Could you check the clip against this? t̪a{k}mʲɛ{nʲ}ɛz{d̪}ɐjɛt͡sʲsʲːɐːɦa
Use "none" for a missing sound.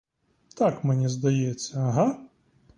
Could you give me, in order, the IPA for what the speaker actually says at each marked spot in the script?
k, nʲ, d̪

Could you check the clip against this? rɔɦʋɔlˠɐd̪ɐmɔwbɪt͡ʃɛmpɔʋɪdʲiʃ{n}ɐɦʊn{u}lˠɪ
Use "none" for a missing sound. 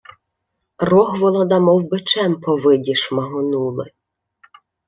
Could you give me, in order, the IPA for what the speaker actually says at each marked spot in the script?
m, u

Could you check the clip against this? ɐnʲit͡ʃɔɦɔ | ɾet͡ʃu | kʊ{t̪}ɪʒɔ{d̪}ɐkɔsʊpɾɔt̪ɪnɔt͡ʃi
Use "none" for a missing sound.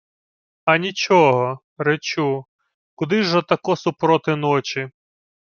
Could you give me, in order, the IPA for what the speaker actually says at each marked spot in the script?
d̪, t̪

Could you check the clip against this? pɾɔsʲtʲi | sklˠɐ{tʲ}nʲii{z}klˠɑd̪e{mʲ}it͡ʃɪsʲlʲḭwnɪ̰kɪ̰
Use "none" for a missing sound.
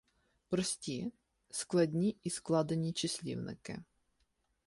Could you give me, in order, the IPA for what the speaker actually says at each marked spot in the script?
dʲ, s, nʲ

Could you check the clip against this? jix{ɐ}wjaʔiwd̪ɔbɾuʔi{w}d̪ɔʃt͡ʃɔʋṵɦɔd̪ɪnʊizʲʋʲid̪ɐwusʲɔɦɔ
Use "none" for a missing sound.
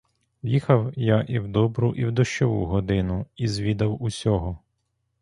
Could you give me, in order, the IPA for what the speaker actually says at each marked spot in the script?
ɐ, w

